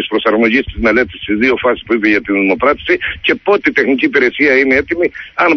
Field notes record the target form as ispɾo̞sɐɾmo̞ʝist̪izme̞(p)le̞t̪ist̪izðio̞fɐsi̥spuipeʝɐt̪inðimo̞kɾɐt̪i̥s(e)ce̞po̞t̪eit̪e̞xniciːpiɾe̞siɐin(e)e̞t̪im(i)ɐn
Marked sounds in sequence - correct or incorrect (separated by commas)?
incorrect, incorrect, correct, correct